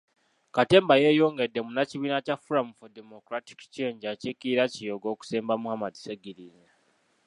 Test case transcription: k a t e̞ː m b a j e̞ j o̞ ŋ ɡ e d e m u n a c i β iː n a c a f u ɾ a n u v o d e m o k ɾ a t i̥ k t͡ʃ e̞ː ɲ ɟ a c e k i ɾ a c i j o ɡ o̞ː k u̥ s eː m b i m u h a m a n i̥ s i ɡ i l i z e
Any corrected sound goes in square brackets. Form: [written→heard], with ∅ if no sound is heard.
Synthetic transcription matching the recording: k a t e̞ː m b a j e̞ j o̞ ŋ ɡ e d e m u n a c i β iː n a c a f u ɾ a [n→m] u [v→f] o d e m o k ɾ a t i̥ k t͡ʃ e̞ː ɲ ɟ a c e k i ɾ a c i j o ɡ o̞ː k u̥ s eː m b [i→a] m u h a m a [n→d] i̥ s [i→e] ɡ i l i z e